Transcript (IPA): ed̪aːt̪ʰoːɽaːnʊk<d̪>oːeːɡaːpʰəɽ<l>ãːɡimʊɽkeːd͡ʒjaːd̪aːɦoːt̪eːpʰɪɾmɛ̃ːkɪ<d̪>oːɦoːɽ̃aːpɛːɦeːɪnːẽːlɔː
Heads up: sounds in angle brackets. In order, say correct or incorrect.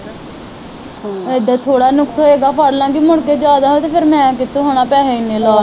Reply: incorrect, correct, incorrect

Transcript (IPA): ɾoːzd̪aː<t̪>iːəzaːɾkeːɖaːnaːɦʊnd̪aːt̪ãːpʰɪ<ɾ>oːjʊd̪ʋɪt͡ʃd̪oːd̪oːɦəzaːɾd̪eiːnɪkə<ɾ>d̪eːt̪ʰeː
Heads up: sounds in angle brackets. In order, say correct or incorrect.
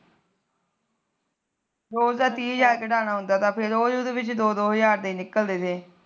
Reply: correct, correct, incorrect

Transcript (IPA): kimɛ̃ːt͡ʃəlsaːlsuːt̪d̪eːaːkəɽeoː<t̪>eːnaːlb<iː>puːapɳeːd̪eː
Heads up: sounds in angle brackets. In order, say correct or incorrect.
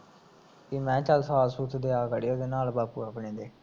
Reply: incorrect, incorrect

